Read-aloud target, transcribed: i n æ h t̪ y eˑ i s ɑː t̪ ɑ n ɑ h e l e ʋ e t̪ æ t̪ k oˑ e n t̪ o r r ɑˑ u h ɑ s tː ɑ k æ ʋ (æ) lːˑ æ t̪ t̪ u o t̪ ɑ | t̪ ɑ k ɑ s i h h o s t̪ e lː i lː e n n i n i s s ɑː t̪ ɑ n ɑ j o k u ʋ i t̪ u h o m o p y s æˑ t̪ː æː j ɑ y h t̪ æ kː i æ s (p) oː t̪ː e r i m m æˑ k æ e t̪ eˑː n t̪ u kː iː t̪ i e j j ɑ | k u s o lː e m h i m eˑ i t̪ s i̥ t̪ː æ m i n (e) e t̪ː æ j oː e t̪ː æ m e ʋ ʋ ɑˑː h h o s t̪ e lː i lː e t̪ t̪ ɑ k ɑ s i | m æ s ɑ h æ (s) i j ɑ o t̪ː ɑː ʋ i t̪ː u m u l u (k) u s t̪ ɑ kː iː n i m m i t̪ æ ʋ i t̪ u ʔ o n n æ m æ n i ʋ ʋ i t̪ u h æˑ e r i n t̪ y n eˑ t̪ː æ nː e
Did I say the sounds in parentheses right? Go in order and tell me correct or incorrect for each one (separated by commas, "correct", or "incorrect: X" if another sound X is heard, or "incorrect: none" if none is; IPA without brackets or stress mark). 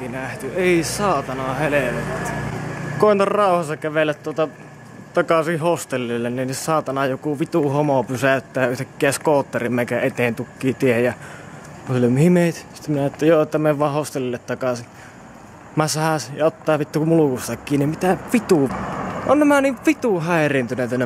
incorrect: e, incorrect: k, incorrect: æ, correct, correct